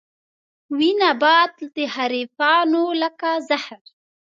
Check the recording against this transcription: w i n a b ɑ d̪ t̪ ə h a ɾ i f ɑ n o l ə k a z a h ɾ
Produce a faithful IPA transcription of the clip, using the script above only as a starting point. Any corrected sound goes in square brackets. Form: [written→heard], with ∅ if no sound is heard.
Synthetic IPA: w i n a b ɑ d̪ [t̪→d̪] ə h a ɾ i f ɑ n o l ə k a z a h ɾ